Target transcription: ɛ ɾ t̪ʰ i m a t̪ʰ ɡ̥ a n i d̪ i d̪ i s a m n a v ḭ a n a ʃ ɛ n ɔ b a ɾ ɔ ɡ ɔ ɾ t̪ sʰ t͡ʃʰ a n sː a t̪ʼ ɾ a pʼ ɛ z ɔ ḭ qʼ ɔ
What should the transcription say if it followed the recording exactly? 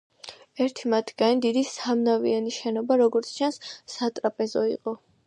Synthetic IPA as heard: ɛ ɾ t̪ʰ i m a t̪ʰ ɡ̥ a n i d̪ i d̪ i s a m n a v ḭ a n i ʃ ɛ n ɔ b a ɾ ɔ ɡ ɔ ɾ t̪ sʰ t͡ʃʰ a n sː a t̪ʼ ɾ a pʼ ɛ z ɔ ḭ qʼ ɔ